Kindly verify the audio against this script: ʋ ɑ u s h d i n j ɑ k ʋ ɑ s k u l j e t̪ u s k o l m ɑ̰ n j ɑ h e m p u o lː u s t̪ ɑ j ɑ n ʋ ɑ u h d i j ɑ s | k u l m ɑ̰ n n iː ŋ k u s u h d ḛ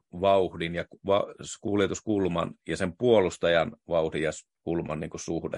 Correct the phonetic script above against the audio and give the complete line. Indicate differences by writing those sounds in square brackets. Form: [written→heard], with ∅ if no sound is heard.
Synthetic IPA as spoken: ʋ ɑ u [s→∅] h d i n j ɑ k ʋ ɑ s k u l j e t̪ u s k [o→u] l m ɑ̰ n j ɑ [h→s] e m p u o [lː→l] u s t̪ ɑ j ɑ n ʋ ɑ u h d i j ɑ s | k u l m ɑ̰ n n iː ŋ k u s u h d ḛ